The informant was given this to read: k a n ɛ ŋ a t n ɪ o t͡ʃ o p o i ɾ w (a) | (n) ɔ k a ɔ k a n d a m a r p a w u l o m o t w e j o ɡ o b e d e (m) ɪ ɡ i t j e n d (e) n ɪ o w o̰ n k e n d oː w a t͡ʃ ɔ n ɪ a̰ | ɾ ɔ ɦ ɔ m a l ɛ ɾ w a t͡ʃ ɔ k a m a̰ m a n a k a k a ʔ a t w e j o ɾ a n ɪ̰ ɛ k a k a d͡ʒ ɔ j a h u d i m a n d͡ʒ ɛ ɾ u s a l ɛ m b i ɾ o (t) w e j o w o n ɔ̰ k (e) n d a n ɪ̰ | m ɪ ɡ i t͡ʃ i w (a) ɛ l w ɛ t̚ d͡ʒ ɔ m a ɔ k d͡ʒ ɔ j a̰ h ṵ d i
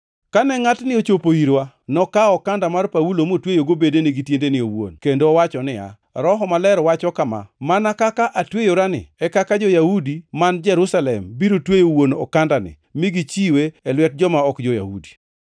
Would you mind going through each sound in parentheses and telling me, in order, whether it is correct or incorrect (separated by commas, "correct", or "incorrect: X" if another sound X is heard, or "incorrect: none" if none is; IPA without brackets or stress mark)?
correct, correct, incorrect: n, correct, correct, incorrect: a, incorrect: e